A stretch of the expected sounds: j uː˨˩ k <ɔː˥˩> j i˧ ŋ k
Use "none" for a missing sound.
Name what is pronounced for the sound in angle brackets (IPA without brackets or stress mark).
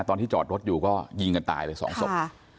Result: ɔː˥˩